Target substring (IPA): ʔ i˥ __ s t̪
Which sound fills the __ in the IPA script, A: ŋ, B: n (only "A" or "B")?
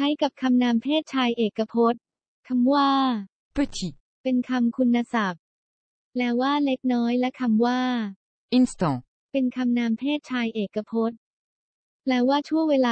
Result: B